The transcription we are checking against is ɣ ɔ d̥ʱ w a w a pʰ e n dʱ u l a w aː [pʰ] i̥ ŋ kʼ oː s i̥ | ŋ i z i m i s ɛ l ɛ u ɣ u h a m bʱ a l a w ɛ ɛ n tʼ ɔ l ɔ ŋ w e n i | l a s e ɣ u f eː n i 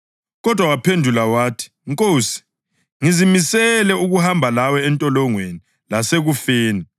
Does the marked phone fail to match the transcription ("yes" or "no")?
yes